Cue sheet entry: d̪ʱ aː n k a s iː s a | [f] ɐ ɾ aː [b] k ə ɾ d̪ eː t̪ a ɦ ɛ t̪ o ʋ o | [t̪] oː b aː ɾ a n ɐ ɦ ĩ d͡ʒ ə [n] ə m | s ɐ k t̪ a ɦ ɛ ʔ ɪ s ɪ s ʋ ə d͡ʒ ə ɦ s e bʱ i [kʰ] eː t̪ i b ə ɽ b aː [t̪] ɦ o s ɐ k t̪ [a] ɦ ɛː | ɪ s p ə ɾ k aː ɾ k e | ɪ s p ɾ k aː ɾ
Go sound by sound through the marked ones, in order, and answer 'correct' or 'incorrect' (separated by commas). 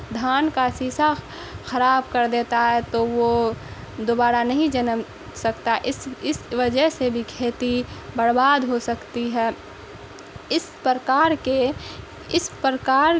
incorrect, correct, incorrect, correct, correct, incorrect, incorrect